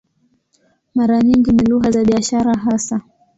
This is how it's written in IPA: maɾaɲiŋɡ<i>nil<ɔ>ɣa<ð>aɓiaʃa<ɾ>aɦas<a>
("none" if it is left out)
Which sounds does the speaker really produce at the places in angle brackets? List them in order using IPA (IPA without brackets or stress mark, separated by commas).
i, u, z, ɾ, a